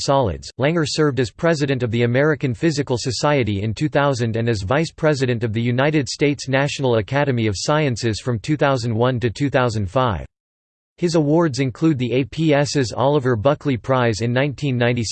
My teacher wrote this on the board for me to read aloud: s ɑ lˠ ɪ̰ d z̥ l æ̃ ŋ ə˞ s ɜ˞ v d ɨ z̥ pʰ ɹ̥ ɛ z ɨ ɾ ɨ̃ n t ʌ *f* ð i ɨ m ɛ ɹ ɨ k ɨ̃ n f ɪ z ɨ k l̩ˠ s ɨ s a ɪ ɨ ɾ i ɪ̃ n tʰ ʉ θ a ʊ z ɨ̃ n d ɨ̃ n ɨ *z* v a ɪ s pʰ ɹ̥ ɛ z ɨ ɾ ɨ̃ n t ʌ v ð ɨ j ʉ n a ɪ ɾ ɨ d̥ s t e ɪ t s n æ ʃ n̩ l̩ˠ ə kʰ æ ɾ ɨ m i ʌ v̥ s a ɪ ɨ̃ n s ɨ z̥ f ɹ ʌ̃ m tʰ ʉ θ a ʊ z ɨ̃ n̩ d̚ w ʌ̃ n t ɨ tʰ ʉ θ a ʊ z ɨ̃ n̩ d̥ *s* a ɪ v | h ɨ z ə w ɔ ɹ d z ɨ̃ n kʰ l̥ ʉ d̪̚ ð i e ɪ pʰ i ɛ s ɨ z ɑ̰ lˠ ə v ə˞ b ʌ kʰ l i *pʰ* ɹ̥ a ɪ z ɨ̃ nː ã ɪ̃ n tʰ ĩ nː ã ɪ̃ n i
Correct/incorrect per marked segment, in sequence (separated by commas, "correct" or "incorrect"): incorrect, correct, incorrect, correct